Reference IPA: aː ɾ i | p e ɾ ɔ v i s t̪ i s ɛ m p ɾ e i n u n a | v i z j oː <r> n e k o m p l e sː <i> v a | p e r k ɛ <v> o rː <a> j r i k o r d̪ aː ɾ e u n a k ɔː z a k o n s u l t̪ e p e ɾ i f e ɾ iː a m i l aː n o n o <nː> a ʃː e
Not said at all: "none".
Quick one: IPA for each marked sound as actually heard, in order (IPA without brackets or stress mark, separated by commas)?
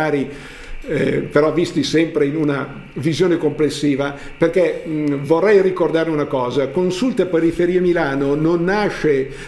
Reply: none, iː, v, ɛ, nː